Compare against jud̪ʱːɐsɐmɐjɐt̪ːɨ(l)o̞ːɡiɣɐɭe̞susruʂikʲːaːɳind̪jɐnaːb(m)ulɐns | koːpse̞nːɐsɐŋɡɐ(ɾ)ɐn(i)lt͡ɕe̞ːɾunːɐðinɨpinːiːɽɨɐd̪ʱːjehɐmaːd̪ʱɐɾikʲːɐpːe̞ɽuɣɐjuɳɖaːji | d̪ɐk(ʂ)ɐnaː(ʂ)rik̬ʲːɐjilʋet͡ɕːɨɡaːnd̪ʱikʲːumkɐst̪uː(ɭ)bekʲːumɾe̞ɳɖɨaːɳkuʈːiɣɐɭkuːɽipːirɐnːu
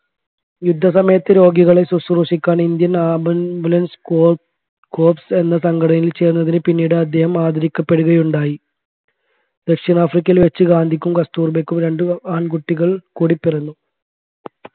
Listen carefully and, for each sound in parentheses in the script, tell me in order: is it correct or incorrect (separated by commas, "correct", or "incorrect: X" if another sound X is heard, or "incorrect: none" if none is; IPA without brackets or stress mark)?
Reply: incorrect: ɾ, incorrect: b, incorrect: ɽ, correct, correct, incorrect: f, incorrect: r